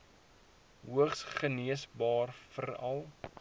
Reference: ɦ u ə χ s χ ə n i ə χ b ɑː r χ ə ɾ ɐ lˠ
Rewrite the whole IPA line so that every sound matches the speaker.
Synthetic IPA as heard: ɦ u ə χ s χ ə n i ə s b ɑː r f ə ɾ ɐ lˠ

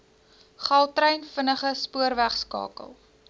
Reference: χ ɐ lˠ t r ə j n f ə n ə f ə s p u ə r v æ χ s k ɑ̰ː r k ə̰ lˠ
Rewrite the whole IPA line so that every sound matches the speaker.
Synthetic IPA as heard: χ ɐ lˠ t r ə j n f ə n ə χ ə s p u ə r v æ χ s k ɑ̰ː k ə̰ lˠ

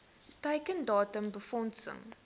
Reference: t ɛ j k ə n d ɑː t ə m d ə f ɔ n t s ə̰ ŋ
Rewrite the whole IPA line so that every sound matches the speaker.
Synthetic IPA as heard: t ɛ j k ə n d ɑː t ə m b ə f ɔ n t s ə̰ ŋ

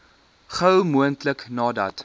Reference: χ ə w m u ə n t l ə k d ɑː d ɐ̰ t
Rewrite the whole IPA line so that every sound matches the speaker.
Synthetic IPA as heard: χ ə w m u ə n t l ə k n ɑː d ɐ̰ t

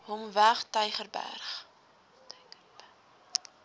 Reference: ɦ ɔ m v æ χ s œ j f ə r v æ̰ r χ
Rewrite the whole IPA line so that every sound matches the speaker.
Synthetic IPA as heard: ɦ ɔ m v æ χ t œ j χ ə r b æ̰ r χ

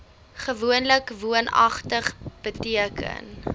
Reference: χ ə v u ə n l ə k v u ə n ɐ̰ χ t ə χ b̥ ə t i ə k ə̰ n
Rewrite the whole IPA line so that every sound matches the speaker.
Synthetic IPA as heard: χ ə v u ə n l ə k v u ə n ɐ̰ χ t ə χ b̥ ə t i ə k ə̰ n

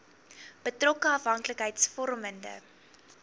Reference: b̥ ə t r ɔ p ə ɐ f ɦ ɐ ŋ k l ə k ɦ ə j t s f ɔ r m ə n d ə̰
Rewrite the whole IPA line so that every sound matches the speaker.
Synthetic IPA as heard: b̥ ə t r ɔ k ə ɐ f ɦ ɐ ŋ k l ə k ɦ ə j t s f ɔ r m ə n d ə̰

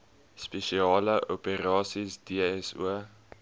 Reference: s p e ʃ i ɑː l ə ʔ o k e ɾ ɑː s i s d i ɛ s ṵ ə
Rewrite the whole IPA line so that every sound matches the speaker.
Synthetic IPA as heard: s p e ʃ i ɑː l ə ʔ o p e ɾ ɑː s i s d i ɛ s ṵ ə

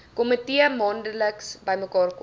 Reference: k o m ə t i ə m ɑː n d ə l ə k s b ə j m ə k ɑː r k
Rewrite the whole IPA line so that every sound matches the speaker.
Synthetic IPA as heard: k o m ə t i ə m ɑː n d ə l ə k s b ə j m ə k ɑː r k

